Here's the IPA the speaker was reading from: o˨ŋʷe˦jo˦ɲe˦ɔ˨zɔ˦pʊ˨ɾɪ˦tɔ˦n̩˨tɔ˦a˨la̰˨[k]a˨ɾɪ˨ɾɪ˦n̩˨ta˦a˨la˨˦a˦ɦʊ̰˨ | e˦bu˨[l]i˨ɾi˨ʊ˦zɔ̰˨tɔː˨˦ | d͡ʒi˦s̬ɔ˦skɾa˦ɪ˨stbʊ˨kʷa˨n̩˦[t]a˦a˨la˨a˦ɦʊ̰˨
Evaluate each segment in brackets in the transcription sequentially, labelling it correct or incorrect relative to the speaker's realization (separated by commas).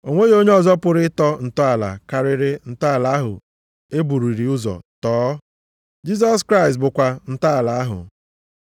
correct, incorrect, correct